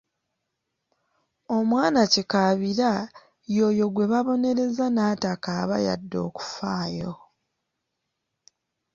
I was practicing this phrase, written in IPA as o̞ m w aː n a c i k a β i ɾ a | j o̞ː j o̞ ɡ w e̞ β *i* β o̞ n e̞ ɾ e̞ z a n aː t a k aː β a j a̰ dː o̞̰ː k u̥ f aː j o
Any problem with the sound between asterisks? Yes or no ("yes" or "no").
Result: yes